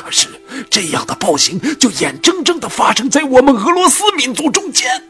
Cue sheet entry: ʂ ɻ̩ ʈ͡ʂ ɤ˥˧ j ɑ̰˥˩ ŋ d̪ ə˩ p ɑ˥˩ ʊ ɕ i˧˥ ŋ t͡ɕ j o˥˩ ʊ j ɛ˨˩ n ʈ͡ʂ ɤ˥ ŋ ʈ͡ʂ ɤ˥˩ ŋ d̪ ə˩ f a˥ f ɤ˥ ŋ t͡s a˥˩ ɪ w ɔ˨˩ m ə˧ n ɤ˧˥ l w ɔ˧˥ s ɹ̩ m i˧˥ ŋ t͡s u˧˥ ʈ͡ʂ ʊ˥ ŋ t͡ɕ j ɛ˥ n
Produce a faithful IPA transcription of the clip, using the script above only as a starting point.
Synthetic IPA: ʂ ɻ̩ ʈ͡ʂ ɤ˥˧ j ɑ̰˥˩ ŋ d̪ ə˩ p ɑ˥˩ ʊ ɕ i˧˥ ŋ t͡ɕ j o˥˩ ʊ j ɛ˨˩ n ʈ͡ʂ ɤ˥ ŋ ʈ͡ʂ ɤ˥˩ ŋ d̪ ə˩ f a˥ ʂ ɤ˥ ŋ t͡s a˥˩ ɪ w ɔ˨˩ m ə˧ n ɤ˧˥ l w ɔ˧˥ s ɹ̩ m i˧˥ n t͡s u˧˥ ʈ͡ʂ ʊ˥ ŋ t͡ɕ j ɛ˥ n